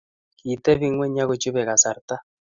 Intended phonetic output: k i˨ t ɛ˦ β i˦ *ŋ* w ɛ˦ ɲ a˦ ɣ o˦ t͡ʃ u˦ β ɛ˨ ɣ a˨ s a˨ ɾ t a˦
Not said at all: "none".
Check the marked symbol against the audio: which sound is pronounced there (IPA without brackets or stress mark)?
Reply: ŋ